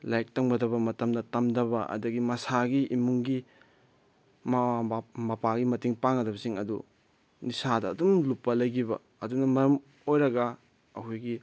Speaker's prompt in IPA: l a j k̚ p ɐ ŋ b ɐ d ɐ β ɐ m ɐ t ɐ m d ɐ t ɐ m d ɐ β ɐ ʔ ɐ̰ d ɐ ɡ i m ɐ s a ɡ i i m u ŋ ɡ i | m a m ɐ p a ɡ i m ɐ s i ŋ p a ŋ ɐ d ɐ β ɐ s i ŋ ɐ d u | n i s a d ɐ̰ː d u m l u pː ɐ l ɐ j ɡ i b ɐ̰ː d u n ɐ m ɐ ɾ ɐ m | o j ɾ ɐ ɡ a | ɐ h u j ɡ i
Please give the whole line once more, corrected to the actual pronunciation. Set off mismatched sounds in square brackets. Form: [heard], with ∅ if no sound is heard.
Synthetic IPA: l a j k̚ [t] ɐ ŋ b ɐ d ɐ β ɐ m ɐ t ɐ m d ɐ t ɐ m d ɐ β ɐ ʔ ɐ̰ d ɐ ɡ i m ɐ s a ɡ i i m u ŋ ɡ i | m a m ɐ p a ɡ i m ɐ [t] i ŋ p a ŋ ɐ d ɐ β ɐ s i ŋ ɐ d u | n i s a d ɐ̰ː d u m l u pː ɐ l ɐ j ɡ i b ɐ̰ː d u n ɐ m ɐ ɾ ɐ m | o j ɾ ɐ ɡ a | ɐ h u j ɡ i

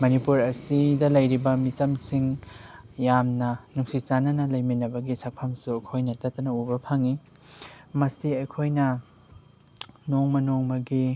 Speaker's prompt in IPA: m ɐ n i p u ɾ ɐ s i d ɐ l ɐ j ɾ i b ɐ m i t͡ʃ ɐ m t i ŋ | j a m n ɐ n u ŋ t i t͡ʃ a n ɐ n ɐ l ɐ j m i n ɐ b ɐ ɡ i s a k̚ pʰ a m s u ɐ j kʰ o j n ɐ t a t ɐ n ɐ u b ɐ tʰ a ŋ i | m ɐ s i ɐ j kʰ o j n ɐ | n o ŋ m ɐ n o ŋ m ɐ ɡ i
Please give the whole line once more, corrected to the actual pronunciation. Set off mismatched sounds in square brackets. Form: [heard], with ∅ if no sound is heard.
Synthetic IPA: m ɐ n i p u ɾ ɐ s i d ɐ l ɐ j ɾ i b ɐ m i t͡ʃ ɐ m [s] i ŋ | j a m n ɐ n u ŋ [s] i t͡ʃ a n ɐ n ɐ l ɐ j m i n ɐ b ɐ ɡ i s a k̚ pʰ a m s u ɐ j kʰ o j n ɐ t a t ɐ n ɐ u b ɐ [pʰ] a ŋ i | m ɐ s i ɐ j kʰ o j n ɐ | n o ŋ m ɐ n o ŋ m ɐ ɡ i

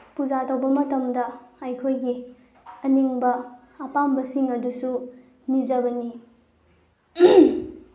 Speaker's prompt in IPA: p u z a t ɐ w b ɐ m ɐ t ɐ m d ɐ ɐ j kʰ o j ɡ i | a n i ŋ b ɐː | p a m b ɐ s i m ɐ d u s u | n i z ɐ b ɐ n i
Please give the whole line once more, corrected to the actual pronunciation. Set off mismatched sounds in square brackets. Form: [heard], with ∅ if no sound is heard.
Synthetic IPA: p u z a t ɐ w b ɐ m ɐ t ɐ m d ɐ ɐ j kʰ o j ɡ i | [ɐ] n i ŋ b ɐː | p a m b ɐ s i [ŋ] ɐ d u s u | n i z ɐ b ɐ n i

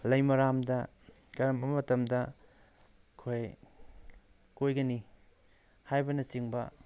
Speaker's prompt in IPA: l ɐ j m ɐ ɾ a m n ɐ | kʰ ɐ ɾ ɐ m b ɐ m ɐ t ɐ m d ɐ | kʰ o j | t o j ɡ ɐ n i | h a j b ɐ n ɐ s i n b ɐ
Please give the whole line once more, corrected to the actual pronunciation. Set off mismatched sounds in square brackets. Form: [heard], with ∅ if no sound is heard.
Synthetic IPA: l ɐ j m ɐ ɾ a m [d] ɐ | [k] ɐ ɾ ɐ m b ɐ m ɐ t ɐ m d ɐ | kʰ o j | [k] o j ɡ ɐ n i | h a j b ɐ n ɐ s i [ŋ] b ɐ

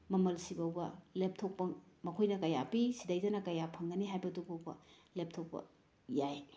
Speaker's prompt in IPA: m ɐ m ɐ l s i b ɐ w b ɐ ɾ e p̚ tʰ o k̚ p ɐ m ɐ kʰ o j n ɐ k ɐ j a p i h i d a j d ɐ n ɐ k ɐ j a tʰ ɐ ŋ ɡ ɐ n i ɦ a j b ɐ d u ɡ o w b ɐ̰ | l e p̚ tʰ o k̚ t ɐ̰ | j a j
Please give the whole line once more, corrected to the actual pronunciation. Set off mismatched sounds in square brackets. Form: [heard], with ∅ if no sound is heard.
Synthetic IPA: m ɐ m ɐ l s i b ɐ w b ɐ [l] e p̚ tʰ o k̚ p ɐ m ɐ kʰ o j n ɐ k ɐ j a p i [s] i d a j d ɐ n ɐ k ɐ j a [pʰ] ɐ ŋ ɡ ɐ n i ɦ a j b ɐ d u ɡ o w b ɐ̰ | l e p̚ tʰ o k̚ [p] ɐ̰ | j a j

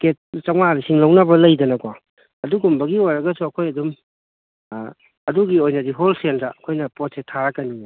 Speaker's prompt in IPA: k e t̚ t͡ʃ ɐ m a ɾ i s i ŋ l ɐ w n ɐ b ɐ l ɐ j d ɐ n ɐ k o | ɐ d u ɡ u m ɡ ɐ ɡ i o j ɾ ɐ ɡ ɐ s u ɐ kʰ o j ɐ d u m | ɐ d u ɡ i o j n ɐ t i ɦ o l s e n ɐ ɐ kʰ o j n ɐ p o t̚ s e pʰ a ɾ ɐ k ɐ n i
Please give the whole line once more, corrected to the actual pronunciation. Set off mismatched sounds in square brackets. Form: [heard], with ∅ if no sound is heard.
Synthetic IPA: k e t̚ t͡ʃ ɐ m a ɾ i s i ŋ l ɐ w n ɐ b ɐ l ɐ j d ɐ n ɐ k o | ɐ d u ɡ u m [b] ɐ ɡ i o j ɾ ɐ ɡ ɐ s u ɐ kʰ o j ɐ d u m | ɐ d u ɡ i o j n ɐ [d] i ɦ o l s e n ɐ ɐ kʰ o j n ɐ p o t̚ s e [tʰ] a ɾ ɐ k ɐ n i

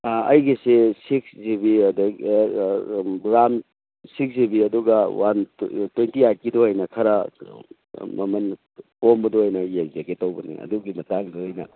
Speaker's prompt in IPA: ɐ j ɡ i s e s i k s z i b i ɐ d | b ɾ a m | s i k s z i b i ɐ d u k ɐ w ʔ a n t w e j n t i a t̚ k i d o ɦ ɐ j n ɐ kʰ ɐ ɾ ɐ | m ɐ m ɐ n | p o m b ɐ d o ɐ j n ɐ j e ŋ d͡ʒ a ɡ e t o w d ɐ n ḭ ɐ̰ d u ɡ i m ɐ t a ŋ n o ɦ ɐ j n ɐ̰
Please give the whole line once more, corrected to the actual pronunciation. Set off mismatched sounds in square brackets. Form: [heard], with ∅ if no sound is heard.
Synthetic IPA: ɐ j ɡ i s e s i k s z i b i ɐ d | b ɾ a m | s i k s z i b i ɐ d u [ɡ] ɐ w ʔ a n t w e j n t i a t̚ k i d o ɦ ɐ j n ɐ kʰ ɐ ɾ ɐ | m ɐ m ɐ n | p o m b ɐ d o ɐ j n ɐ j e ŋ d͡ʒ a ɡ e t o w [b] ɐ n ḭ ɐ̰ d u ɡ i m ɐ t a ŋ [d] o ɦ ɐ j n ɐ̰

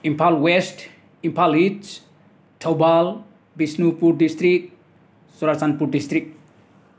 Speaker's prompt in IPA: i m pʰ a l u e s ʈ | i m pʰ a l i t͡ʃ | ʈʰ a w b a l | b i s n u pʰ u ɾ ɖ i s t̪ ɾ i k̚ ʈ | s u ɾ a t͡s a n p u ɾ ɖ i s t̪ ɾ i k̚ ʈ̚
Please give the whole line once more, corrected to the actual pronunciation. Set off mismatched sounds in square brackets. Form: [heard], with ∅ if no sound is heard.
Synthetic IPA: i m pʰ a l [w] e s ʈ | i m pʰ a l i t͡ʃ | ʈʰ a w b a l | b i s n u [p] u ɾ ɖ i s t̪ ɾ i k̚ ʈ | s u ɾ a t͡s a n p u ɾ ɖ i s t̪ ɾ i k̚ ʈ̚

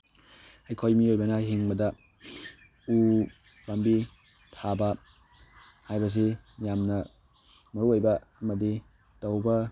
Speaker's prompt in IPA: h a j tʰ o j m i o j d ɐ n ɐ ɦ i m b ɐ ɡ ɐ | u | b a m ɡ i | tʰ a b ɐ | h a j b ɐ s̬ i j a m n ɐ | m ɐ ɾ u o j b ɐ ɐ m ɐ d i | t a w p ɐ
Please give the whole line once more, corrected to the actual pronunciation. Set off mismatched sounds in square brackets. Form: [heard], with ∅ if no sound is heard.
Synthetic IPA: h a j [kʰ] o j m i o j [b] ɐ n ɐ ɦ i [ŋ] b ɐ [d] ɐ | u | b a m [b] i | tʰ a b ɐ | h a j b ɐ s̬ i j a m n ɐ | m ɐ ɾ u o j b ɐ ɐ m ɐ d i | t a w [b] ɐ

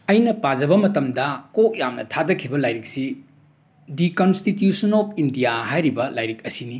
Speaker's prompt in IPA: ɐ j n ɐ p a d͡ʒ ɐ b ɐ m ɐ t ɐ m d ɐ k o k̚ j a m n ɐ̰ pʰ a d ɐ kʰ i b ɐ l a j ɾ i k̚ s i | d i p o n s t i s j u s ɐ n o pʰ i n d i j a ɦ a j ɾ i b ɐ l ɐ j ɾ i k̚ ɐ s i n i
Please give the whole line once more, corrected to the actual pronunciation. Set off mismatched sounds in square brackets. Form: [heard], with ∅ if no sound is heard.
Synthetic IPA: ɐ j n ɐ p a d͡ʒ ɐ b ɐ m ɐ t ɐ m d ɐ k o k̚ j a m n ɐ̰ [tʰ] a d ɐ kʰ i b ɐ l a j ɾ i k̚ s i | d i [k] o n s t i [t] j u s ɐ n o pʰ i n d i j a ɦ a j ɾ i b ɐ l [a] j ɾ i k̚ ɐ s i n i

